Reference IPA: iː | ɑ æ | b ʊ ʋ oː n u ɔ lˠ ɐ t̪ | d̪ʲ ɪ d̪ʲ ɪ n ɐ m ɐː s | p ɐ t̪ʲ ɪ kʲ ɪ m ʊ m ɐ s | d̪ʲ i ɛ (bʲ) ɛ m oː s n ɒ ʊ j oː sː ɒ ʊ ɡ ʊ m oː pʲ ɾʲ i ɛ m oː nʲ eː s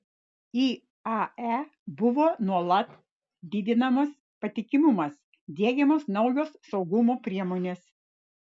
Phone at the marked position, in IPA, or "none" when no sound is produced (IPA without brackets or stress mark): ɡʲ